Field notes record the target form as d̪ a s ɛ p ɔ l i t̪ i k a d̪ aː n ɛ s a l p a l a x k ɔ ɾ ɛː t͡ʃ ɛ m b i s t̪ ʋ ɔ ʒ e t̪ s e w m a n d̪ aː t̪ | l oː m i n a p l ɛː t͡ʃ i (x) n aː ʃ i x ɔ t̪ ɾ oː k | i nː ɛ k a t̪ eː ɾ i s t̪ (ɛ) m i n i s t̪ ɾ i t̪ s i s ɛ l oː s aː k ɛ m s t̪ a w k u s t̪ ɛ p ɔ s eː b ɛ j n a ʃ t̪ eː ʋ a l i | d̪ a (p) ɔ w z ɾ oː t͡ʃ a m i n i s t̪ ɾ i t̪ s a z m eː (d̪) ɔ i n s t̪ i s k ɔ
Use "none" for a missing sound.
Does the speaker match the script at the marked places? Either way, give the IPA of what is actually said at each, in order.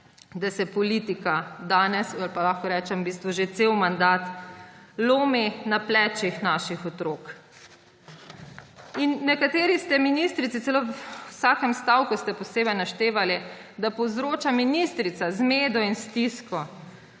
x, ɛ, p, d̪

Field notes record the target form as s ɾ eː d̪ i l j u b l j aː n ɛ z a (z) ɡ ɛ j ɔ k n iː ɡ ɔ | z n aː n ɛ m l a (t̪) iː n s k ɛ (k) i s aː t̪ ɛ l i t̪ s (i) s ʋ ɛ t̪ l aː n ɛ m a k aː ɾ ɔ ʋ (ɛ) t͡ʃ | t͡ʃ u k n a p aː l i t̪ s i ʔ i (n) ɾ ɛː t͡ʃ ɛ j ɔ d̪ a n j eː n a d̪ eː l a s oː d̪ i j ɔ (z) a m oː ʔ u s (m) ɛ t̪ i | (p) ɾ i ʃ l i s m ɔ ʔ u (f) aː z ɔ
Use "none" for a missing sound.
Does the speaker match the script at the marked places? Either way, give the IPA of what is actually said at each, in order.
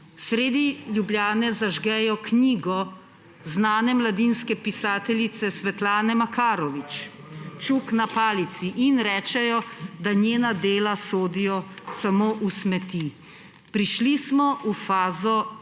ʒ, d̪, p, ɛ, i, n, s, m, p, f

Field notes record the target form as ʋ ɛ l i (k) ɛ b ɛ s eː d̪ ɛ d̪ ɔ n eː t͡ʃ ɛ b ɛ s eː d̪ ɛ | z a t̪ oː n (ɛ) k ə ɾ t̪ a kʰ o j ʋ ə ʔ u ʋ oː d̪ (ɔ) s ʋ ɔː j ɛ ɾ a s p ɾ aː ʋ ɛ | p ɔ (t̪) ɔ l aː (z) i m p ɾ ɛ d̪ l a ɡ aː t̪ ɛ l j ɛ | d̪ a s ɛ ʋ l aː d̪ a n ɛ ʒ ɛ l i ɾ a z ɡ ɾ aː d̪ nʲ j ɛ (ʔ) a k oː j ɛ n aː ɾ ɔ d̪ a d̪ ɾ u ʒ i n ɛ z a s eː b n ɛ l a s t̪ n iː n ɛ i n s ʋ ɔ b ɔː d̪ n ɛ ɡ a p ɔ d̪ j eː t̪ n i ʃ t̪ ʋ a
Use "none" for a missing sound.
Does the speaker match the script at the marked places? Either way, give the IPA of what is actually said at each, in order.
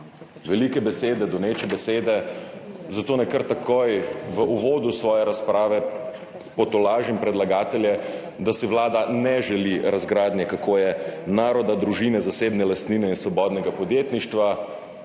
k, ɛ, u, t̪, ʒ, k

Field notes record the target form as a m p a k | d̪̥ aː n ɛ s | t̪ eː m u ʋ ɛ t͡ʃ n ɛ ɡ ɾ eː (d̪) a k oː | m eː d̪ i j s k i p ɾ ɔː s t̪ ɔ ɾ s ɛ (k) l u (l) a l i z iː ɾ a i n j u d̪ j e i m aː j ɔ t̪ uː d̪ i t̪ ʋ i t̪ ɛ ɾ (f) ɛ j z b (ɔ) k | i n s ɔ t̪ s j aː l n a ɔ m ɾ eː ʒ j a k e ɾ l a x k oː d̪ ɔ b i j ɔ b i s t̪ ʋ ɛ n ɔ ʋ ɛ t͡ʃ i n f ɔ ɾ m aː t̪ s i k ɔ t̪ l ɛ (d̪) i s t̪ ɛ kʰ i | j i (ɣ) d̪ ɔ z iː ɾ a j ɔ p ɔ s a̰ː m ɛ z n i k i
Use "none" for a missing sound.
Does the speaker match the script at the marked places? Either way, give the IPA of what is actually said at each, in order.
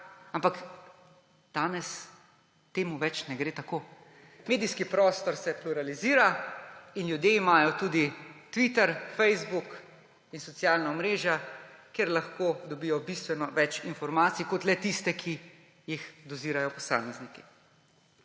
t̪, p, ɾ, f, u, t̪, x

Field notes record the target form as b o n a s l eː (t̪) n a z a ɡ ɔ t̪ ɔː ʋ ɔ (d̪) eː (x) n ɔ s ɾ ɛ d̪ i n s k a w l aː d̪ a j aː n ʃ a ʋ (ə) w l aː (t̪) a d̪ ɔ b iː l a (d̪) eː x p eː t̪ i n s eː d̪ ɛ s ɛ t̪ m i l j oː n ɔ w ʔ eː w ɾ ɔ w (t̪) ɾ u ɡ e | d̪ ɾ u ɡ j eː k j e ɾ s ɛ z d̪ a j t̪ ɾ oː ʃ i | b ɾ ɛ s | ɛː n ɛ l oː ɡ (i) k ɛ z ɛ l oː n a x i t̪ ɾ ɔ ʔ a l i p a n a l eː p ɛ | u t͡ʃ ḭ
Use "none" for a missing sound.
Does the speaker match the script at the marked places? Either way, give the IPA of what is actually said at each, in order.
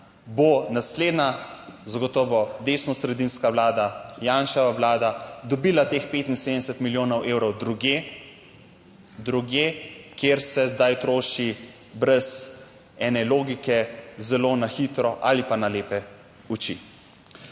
d̪, d̪, s, a, d̪, t̪, d̪, i

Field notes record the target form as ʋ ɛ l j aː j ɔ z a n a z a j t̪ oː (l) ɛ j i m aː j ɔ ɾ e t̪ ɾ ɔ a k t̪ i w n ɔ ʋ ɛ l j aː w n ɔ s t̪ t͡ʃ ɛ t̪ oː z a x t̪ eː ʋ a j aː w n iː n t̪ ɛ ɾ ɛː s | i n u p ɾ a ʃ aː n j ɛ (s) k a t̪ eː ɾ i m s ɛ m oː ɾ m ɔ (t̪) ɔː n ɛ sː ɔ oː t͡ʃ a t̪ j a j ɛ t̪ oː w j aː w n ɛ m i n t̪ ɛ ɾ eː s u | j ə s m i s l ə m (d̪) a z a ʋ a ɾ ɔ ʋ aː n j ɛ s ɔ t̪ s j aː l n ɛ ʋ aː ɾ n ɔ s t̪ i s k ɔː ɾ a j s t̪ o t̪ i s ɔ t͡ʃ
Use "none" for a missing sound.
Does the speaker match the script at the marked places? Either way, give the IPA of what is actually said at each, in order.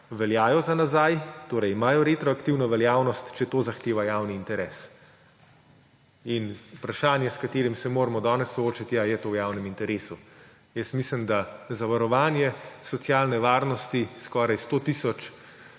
ɾ, s, d̪, d̪

